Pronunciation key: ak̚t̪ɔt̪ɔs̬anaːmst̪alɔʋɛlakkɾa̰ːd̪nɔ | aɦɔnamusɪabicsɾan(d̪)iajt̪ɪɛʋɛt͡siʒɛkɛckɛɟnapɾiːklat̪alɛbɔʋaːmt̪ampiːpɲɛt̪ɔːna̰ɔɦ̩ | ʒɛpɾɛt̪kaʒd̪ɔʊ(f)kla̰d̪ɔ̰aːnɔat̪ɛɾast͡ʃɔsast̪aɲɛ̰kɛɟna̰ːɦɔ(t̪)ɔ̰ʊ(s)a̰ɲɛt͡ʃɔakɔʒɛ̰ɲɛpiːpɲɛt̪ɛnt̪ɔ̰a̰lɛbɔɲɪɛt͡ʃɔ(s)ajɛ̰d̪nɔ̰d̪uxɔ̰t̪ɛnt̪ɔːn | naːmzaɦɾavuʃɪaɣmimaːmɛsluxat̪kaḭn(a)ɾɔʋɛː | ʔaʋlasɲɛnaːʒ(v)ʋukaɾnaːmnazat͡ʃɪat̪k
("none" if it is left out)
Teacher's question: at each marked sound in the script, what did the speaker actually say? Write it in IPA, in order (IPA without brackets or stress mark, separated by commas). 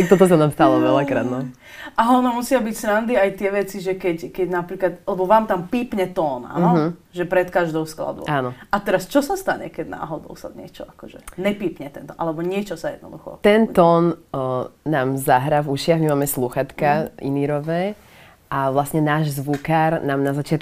d̪, s, d̪, s, s, i, z